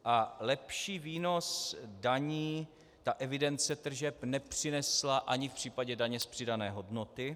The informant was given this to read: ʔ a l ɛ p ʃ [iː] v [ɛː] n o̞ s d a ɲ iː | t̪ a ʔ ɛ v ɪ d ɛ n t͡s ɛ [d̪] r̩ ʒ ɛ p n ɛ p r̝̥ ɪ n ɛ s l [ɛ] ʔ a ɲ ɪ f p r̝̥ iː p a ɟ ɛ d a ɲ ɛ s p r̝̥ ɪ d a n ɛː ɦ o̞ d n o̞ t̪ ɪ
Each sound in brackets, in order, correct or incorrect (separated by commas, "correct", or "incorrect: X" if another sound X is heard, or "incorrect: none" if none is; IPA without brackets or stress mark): correct, incorrect: iː, incorrect: t̪, incorrect: a